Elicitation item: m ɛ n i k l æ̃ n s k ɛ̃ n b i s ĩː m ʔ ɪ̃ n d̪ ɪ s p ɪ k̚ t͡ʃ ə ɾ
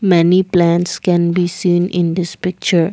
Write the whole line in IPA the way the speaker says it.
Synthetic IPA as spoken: m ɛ n i p l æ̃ n s k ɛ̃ n b i s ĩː n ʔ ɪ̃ n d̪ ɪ s p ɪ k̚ t͡ʃ ə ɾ